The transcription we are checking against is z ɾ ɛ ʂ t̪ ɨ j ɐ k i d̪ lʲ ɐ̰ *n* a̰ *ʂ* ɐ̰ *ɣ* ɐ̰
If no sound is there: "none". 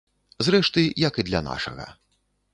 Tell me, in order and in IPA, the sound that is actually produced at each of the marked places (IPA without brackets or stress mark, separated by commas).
n, ʂ, ɣ